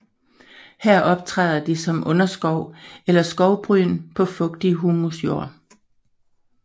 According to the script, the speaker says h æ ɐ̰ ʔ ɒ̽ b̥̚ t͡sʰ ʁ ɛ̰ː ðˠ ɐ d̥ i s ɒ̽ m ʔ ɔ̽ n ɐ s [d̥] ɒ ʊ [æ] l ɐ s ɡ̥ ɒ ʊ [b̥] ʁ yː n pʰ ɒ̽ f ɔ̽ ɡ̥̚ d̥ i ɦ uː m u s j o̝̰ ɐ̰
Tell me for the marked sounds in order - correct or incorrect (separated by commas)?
incorrect, incorrect, correct